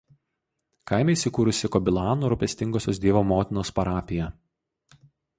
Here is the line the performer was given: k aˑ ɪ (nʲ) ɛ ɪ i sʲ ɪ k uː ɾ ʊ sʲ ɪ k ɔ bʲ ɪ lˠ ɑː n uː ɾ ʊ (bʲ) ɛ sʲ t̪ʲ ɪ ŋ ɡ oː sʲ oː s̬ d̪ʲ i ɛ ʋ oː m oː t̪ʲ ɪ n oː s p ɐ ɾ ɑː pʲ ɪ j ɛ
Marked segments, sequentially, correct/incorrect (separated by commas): incorrect, incorrect